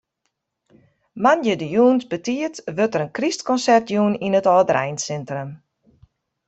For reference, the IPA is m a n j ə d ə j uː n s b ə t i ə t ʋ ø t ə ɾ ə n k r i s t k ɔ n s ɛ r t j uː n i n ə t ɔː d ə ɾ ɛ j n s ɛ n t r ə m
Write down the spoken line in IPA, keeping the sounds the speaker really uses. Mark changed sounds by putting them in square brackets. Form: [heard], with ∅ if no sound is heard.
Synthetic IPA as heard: m a n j ə d ə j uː n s b ə t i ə t ʋ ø t ə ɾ ə n k r i s t k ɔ n s ɛ r t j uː n i n ə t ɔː d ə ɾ ɛ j n s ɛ n t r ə m